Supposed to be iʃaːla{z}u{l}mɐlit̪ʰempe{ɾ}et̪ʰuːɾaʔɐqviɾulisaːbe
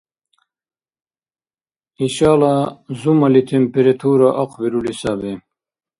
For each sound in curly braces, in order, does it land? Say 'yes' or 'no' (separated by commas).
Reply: yes, no, yes